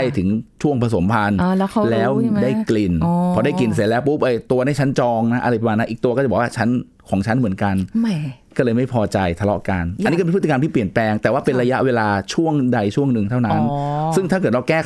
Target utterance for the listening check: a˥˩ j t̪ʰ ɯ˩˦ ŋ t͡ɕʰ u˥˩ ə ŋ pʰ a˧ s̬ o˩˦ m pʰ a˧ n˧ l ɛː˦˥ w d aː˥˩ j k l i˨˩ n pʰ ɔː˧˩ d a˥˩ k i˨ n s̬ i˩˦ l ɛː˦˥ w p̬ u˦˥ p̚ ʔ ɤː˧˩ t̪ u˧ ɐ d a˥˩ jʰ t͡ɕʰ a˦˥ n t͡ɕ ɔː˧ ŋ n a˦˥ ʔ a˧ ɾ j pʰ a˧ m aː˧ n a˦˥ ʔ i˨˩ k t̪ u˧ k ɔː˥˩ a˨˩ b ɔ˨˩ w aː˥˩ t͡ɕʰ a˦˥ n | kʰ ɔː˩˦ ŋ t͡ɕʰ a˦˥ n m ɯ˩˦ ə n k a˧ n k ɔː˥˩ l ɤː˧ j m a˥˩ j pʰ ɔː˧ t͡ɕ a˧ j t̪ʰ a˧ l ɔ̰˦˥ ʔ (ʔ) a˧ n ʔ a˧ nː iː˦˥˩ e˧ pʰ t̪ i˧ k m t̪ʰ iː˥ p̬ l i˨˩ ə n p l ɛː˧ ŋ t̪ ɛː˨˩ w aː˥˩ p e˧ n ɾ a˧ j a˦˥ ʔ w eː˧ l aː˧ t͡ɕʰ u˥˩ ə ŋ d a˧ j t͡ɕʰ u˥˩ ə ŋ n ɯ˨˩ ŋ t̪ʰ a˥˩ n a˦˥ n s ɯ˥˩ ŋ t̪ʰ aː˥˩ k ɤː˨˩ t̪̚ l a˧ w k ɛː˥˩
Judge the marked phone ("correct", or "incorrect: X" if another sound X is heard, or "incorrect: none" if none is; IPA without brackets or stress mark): incorrect: k